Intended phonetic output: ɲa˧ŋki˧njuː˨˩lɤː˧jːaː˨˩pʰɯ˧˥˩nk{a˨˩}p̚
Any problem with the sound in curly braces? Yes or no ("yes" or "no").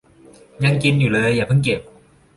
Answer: yes